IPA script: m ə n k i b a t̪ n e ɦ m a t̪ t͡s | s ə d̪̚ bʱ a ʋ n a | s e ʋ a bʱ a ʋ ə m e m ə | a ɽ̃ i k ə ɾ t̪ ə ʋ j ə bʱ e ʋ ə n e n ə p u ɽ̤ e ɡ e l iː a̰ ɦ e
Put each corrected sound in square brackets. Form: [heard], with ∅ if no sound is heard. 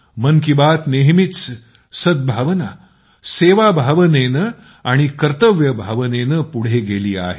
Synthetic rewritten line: m ə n k i b a t̪ n e ɦ m [i] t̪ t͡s | s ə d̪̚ bʱ a ʋ n a | s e ʋ a bʱ a ʋ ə [n] e [n] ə | a ɽ̃ i k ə ɾ t̪ ə ʋ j ə bʱ [a] ʋ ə n e n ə p u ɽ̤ e ɡ e l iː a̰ ɦ e

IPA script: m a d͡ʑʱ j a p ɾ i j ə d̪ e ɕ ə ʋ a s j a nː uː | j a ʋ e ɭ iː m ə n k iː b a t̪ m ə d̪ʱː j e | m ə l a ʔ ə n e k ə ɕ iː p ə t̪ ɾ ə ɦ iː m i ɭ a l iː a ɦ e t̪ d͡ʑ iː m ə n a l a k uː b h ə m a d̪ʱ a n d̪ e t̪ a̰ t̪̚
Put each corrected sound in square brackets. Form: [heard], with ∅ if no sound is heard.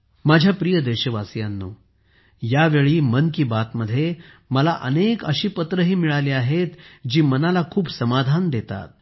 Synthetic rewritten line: m a d͡ʑʱ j a p ɾ i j ə d̪ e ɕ ə ʋ a s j a nː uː | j a ʋ e ɭ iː m ə n k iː b a t̪ m ə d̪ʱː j e | m ə l a ʔ ə n e k ə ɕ iː p ə t̪ ɾ ə ɦ iː m i ɭ a l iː a ɦ e t̪ d͡ʑ iː m ə n a l a [kʰ] uː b [s] ə m a d̪ʱ a n d̪ e t̪ a̰ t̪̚

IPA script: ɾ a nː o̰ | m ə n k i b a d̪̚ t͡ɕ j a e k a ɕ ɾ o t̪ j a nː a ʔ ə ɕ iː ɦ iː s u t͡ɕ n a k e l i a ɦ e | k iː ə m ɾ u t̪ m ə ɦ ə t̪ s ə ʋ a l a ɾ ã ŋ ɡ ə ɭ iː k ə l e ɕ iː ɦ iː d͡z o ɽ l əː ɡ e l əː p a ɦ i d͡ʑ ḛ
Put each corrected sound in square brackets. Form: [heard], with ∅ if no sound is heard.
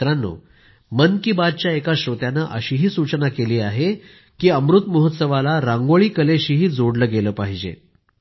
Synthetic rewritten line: ɾ a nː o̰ | m ə n k i b a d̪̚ t͡ɕ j a e k a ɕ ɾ o t̪ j a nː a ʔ ə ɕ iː ɦ iː s u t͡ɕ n a k e l [iː] a ɦ e | k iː ə m ɾ u t̪ m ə ɦ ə t̪ s ə ʋ a l a ɾ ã ŋ ɡ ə ɭ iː k ə l e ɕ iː ɦ iː d͡z o ɽ l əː ɡ e l əː p a ɦ i d͡ʑ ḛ

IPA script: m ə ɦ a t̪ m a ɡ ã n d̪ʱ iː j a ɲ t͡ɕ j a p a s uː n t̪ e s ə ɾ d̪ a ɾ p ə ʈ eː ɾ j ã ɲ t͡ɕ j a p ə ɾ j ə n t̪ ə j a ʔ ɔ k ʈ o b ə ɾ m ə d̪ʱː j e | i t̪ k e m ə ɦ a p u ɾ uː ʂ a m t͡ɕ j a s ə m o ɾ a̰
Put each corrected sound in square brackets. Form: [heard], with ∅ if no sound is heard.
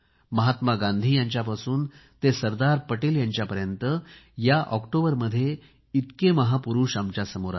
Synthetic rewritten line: m ə ɦ a t̪ m a ɡ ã n d̪ʱ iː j a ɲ t͡ɕ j a p a s uː n t̪ e s ə ɾ d̪ a ɾ p ə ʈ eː [l] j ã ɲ t͡ɕ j a p ə ɾ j ə n t̪ ə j a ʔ ɔ k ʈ o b ə ɾ m ə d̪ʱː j e | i t̪ k e m ə ɦ a p u ɾ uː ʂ a m t͡ɕ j a s ə m o ɾ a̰

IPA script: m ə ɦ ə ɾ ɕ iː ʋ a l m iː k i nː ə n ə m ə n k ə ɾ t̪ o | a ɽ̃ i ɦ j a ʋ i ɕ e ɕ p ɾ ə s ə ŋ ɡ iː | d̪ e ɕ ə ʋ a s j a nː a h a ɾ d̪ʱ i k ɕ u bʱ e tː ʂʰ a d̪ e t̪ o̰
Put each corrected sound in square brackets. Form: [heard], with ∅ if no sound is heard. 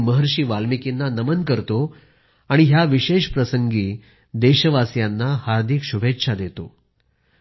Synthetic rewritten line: m ə ɦ ə ɾ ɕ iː ʋ a l m [i] k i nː [a] n ə m ə n k ə ɾ t̪ o | a ɽ̃ i ɦ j a ʋ i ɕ e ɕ p ɾ ə s ə ŋ ɡ iː | d̪ e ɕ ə ʋ a s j a nː a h a ɾ d̪ʱ i k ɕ u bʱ e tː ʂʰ a d̪ e t̪ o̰

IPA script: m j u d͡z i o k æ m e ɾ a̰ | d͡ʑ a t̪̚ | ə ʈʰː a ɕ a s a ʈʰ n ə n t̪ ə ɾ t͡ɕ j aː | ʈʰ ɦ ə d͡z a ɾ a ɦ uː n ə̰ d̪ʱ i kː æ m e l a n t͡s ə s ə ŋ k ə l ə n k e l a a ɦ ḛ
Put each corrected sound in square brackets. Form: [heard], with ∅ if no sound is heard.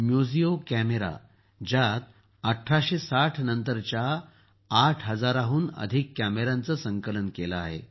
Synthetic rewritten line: m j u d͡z i o k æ m e ɾ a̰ | d͡ʑ a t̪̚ | ə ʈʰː a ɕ [e] s a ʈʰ n ə n t̪ ə ɾ t͡ɕ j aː | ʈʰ ɦ ə d͡z a ɾ a ɦ uː n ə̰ d̪ʱ i kː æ m e [ɾ] a n t͡s ə s ə ŋ k ə l ə n k e l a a ɦ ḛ

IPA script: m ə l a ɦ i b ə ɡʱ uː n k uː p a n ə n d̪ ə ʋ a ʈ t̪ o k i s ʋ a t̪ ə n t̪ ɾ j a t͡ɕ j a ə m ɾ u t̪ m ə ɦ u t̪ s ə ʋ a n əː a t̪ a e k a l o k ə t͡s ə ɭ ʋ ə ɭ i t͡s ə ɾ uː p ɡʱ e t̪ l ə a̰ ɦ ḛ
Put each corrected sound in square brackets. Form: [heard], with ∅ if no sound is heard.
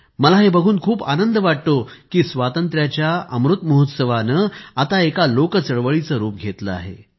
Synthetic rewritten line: m ə l a ɦ [e] b ə ɡʱ uː n [kʰ] uː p a n ə n d̪ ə ʋ a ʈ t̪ o k [iː] s ʋ a t̪ ə n t̪ ɾ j a t͡ɕ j a ə m ɾ u t̪ m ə ɦ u t̪ s ə ʋ a n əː a t̪ a e k a l o k ə t͡s ə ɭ ʋ ə ɭ i t͡s ə ɾ uː p ɡʱ e t̪ l ə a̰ ɦ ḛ

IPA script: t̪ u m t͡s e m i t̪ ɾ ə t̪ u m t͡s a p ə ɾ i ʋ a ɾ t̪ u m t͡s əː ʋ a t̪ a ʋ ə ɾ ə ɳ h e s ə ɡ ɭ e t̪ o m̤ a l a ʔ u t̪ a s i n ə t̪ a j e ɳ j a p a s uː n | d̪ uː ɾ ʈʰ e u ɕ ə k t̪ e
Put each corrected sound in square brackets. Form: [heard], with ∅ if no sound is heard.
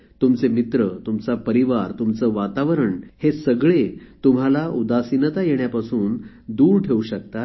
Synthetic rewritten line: t̪ u m t͡s e m i t̪ ɾ ə t̪ u m t͡s a p ə ɾ i ʋ a ɾ t̪ u m t͡s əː ʋ a t̪ a ʋ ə ɾ ə ɳ h e s ə ɡ ɭ e t̪ [u] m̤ a l a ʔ u [d̪] a s i n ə t̪ a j e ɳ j a p a s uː n | d̪ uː ɾ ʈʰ e u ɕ ə k t̪ [a]

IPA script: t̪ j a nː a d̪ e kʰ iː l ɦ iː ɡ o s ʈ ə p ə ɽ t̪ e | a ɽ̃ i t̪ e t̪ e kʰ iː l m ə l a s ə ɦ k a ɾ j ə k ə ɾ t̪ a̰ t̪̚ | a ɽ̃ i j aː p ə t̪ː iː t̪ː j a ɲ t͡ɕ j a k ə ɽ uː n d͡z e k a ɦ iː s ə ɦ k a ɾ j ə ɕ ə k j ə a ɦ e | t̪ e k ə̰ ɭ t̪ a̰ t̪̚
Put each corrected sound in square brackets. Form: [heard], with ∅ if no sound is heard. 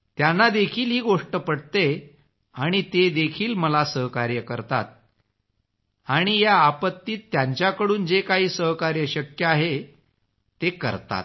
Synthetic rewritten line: t̪ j a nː a d̪ e kʰ iː l ɦ iː ɡ o [ʂ] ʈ ə p ə ɽ t̪ e | a ɽ̃ i t̪ e [d̪] e kʰ iː l m ə l a s ə ɦ k a ɾ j ə k ə ɾ t̪ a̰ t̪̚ | a ɽ̃ i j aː p ə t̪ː iː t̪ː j a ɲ t͡ɕ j a k ə ɽ uː n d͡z e k a ɦ iː s ə ɦ k a ɾ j ə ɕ ə k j ə a ɦ e | t̪ e k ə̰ [ɾ] t̪ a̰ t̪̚

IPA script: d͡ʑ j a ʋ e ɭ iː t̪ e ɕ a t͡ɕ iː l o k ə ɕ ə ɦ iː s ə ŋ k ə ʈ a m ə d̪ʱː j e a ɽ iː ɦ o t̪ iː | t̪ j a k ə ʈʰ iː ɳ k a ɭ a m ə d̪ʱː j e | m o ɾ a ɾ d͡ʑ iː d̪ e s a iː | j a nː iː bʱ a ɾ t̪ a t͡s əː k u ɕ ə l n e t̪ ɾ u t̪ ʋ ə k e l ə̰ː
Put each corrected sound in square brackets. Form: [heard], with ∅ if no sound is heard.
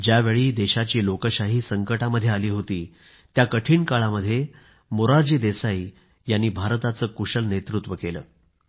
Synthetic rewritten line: d͡ʑ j a ʋ e ɭ iː [d̪] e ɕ a t͡ɕ iː l o k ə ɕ [a] ɦ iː s ə ŋ k ə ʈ a m ə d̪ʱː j e a [l] iː ɦ o t̪ iː | t̪ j a k ə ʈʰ iː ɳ k a ɭ a m ə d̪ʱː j e | m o ɾ a ɾ d͡ʑ iː d̪ e s a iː | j a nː iː bʱ a ɾ t̪ a t͡s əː k u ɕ ə l n e t̪ ɾ u t̪ ʋ ə k e l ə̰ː

